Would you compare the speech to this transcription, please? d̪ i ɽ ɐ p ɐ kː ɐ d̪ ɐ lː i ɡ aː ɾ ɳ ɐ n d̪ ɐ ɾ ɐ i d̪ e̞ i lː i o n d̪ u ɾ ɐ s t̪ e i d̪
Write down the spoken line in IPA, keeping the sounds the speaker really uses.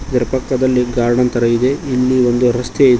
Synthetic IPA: d̪ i ɾ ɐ p ɐ kː ɐ d̪ ɐ lː i ɡ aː ɾ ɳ ɐ n t̪ ɐ ɾ ɐ i d̪ e̞ i lː i o n d̪ u ɾ ɐ s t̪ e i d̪